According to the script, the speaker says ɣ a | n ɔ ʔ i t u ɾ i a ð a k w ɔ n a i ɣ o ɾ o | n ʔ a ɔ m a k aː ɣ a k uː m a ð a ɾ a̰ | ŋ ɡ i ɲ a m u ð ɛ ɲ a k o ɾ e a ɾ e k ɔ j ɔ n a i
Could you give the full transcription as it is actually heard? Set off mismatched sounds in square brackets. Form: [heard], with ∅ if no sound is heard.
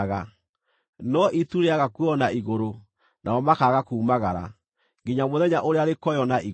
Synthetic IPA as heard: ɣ a | n ɔ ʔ i t u ɾ [e] a [ɣ] a k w ɔ n a i ɣ o ɾ o | n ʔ a ɔ m a k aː ɣ a k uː m a [ɣ] a ɾ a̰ | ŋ ɡ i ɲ a m [o] ð ɛ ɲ a [ʔ] o ɾ e a ɾ e k ɔ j ɔ n a i